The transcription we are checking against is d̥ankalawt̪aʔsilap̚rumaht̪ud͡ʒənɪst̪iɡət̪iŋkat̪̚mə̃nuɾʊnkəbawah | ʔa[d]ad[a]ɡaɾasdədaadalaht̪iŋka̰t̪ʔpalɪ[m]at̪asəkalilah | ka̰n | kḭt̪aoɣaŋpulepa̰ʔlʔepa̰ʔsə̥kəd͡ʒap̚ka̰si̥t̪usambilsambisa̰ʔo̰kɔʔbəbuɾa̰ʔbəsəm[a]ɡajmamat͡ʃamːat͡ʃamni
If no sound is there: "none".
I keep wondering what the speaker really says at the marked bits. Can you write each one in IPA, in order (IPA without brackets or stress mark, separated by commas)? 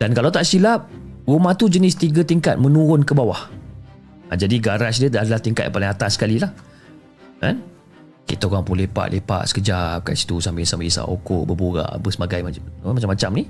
d͡ʒ, i, ŋ, a